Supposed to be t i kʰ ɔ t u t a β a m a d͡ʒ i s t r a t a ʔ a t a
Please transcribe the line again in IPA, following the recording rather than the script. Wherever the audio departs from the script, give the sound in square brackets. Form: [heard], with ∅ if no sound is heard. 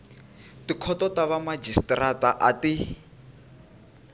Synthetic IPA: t i kʰ ɔ t [ɔ] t a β a m a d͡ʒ i s t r a t a ʔ a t [i]